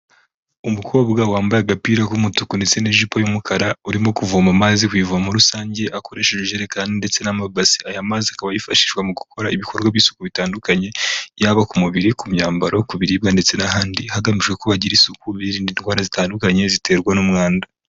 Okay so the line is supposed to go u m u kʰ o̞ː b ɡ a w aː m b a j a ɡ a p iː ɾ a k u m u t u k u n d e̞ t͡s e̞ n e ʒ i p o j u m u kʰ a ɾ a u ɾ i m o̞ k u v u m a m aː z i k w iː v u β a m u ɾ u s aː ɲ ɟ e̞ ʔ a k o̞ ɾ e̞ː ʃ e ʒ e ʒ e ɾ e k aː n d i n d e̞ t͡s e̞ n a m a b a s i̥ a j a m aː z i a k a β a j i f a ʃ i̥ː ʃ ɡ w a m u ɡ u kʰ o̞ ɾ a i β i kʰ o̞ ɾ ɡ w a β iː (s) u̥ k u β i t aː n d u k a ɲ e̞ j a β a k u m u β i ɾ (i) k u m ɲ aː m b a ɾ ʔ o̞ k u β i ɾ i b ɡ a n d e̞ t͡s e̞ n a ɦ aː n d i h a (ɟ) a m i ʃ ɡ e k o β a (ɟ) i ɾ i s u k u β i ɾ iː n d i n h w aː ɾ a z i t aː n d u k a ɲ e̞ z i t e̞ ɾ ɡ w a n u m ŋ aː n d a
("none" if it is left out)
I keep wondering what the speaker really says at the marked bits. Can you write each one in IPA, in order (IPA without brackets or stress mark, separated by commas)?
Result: s, i, ɡ, ɟ